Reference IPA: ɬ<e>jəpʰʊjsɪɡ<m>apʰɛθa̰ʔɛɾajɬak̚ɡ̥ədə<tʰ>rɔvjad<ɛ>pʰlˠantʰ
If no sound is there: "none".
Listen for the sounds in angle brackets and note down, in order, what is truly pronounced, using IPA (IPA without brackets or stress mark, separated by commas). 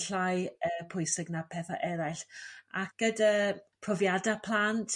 a, n, pʰ, a